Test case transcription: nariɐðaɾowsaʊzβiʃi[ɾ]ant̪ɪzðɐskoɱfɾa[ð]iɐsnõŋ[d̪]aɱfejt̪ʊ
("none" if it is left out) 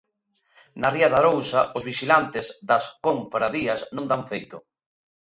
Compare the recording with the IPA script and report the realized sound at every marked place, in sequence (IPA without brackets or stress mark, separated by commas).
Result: l, ð, d̪